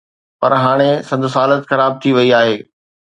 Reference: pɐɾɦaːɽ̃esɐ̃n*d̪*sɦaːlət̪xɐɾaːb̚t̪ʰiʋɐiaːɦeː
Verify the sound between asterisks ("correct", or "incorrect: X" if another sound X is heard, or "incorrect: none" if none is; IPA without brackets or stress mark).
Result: correct